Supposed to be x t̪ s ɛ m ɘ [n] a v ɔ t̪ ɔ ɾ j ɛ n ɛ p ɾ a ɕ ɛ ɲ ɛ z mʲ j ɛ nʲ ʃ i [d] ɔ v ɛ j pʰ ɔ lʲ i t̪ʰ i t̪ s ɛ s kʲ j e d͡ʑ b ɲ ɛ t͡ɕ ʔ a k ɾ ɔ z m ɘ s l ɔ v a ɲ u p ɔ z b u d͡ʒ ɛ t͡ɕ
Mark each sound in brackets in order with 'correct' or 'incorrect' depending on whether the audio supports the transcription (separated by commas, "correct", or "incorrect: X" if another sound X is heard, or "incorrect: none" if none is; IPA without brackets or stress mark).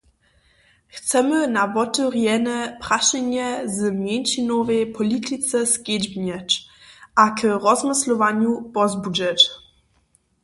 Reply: correct, incorrect: n